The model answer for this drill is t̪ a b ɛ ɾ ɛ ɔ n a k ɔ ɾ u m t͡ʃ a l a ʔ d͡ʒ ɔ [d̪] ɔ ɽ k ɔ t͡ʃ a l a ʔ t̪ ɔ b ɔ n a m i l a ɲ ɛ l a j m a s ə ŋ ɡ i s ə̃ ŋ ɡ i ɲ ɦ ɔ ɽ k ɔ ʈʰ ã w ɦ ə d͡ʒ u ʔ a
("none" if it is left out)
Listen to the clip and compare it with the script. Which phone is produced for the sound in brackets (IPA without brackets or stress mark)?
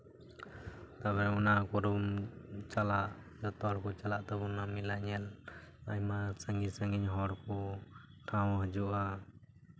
t̪